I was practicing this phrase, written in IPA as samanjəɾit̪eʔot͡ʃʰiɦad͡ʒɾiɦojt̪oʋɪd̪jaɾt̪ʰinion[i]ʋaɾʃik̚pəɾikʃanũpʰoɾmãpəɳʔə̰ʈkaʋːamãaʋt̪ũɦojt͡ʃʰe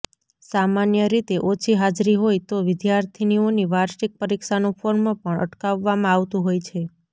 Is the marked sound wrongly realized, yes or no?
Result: no